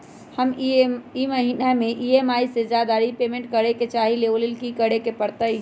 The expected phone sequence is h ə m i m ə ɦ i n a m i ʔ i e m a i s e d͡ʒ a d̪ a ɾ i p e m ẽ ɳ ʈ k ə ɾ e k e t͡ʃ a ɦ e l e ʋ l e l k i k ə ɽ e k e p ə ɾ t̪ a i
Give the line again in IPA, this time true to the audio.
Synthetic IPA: h ə m i m ə ɦ i n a m e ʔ i e m a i s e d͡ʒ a d̪ a ɾ i p e m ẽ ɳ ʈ k ə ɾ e k e t͡ʃ a ɦ i l e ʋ l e l k i k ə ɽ e k e p ə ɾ t̪ ə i